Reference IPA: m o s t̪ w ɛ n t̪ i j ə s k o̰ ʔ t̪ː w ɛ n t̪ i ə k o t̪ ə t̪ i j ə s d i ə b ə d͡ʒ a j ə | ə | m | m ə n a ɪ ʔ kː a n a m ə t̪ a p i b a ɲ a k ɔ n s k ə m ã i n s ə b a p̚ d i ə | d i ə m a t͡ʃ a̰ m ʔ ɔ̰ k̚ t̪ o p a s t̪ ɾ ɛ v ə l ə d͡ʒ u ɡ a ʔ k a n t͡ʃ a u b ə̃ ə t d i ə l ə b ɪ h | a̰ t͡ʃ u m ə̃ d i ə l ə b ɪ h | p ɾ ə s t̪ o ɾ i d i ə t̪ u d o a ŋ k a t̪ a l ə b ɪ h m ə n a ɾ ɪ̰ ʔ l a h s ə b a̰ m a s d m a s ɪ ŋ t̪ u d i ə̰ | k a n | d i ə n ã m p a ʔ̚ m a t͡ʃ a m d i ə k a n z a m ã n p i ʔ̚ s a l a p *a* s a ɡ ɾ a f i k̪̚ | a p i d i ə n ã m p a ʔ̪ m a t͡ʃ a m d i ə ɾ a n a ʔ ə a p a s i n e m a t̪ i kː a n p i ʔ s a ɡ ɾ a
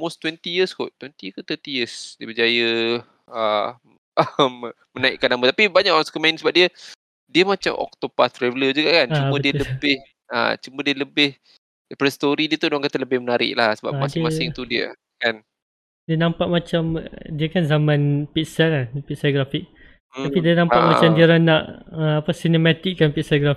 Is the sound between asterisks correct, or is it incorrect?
incorrect